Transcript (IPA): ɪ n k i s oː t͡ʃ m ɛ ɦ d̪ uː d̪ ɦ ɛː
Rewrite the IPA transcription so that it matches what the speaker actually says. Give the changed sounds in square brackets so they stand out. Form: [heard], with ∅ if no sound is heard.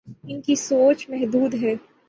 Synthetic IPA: ɪ n k i s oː t͡ʃ m ɛ ɦ d̪ uː d̪ ɦ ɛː